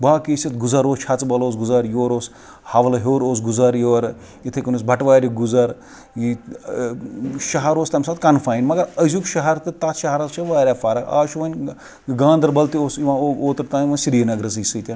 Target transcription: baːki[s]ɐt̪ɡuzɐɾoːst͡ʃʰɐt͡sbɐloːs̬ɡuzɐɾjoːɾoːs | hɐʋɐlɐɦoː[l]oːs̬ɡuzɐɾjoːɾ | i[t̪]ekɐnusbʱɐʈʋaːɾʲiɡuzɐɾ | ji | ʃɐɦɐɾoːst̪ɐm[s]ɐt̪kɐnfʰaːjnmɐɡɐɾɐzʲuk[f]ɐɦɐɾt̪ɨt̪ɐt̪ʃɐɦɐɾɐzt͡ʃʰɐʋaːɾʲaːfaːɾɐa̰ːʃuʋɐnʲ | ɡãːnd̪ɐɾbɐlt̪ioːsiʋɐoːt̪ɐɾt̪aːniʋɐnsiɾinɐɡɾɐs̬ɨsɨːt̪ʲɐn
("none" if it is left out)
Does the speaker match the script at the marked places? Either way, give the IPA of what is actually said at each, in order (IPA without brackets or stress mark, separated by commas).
s, ɾ, t̪ʰ, s, ʃ